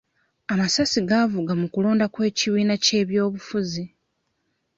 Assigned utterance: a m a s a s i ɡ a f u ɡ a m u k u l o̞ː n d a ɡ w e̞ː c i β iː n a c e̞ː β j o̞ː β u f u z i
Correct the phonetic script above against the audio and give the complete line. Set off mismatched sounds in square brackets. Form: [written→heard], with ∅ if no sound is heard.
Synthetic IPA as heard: a m a s a s i ɡ a [f→v] u ɡ a m u k u l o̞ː n d a [ɡ→k] w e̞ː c i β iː n a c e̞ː β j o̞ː β u f u z i